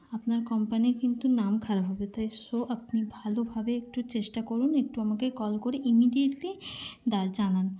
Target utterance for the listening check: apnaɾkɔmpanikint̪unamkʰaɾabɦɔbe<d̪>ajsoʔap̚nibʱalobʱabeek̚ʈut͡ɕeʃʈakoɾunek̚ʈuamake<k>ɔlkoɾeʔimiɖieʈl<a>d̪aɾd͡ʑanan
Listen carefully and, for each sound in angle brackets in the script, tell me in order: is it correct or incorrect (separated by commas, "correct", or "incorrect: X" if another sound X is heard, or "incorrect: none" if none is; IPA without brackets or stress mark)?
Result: incorrect: t̪, correct, incorrect: i